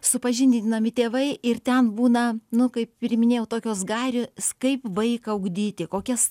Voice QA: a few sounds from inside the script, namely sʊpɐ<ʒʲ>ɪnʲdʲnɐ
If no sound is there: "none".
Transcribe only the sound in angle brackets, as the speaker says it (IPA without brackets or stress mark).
ʒʲ